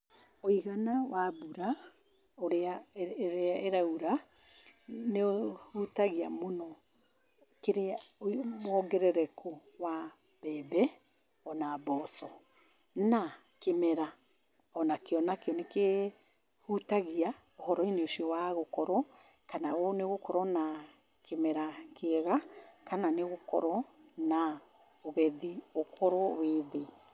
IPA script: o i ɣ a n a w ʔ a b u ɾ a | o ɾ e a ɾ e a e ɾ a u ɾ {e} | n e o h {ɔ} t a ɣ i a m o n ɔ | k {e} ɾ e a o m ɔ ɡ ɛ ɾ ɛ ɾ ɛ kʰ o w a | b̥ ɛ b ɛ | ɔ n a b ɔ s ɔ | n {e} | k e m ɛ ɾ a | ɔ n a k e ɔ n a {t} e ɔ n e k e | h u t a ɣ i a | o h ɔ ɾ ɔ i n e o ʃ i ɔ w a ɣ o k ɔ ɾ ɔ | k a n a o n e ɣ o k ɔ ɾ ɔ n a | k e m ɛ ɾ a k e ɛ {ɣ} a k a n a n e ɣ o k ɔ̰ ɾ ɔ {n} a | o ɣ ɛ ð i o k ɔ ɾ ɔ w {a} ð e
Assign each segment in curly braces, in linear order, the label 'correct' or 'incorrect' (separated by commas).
incorrect, incorrect, correct, incorrect, incorrect, correct, correct, incorrect